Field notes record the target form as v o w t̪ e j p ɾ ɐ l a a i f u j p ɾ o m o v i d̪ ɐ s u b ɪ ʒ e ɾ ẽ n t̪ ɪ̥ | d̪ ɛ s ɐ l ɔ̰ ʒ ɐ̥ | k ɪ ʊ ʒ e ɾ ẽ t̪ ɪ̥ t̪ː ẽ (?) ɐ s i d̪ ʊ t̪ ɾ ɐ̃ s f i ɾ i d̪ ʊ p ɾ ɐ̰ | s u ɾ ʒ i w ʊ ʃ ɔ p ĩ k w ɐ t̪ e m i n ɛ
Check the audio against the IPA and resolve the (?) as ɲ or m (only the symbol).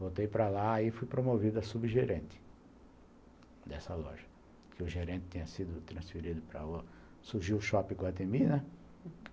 ɲ